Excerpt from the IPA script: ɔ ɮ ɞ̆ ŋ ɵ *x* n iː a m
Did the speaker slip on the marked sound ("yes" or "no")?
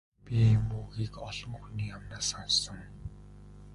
no